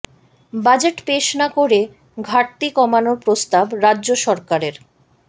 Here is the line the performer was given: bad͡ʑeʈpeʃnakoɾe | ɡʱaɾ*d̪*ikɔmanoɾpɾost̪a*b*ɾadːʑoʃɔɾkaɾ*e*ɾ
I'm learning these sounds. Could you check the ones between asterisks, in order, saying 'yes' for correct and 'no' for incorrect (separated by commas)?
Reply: no, yes, yes